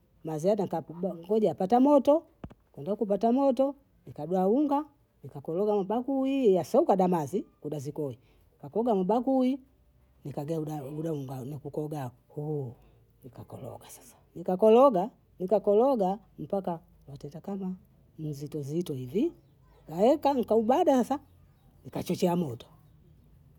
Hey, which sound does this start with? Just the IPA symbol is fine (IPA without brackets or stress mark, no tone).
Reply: m